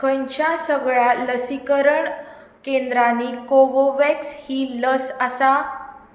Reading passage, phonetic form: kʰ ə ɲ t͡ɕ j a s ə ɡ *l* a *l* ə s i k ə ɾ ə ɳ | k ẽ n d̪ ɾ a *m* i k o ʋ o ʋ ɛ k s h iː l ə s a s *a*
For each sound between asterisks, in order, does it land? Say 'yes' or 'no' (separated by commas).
no, yes, no, yes